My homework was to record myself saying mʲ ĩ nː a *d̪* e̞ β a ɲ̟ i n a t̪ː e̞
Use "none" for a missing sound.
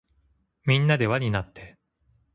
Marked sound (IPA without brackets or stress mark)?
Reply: d̪